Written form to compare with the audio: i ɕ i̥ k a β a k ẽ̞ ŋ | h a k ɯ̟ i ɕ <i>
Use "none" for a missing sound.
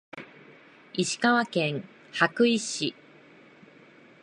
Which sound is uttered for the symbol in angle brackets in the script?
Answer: i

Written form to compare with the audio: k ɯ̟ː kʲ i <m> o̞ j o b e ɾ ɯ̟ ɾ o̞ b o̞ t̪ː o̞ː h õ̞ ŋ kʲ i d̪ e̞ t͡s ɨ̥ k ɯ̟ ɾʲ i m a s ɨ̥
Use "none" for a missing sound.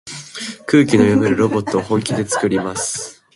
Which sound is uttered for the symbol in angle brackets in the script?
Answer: n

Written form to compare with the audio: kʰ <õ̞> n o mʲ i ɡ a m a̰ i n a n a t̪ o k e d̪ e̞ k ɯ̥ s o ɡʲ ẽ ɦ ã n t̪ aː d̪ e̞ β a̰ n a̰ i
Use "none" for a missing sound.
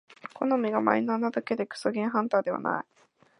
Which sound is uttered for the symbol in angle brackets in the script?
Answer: o̞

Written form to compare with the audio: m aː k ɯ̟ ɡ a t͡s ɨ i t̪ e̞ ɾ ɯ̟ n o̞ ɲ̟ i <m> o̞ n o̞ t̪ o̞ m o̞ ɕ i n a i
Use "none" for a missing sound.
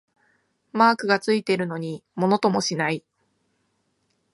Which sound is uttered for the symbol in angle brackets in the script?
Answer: m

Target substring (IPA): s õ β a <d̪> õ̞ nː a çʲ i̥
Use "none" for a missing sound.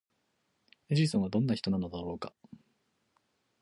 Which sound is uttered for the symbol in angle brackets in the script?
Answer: d̪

